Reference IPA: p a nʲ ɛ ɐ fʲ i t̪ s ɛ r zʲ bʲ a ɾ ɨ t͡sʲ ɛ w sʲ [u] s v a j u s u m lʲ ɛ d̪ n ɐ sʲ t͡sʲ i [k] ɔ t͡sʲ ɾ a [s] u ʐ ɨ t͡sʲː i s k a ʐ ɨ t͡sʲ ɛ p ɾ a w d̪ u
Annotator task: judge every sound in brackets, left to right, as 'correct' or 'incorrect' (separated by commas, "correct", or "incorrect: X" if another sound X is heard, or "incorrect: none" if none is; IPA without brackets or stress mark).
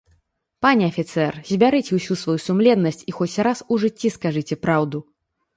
correct, incorrect: x, correct